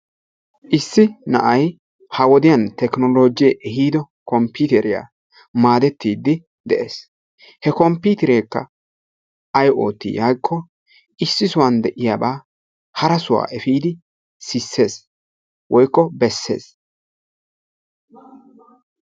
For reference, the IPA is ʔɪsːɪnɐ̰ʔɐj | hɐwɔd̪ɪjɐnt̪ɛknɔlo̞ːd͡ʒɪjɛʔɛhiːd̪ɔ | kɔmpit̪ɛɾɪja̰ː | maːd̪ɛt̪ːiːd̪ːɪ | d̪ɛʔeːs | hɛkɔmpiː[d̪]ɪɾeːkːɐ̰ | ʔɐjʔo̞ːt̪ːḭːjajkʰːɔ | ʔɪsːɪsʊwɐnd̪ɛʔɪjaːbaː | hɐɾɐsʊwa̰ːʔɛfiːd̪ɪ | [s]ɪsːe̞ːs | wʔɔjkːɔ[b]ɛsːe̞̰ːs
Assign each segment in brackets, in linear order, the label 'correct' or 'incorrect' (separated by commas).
incorrect, correct, correct